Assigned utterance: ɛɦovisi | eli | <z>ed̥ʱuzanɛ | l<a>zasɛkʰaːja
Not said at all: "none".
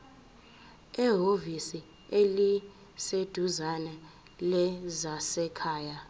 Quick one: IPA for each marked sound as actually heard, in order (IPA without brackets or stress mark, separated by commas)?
s, ɛ